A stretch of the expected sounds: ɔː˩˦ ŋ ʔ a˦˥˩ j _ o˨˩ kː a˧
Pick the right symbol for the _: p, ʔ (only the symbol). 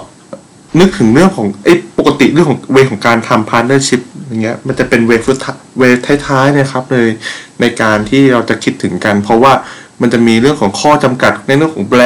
p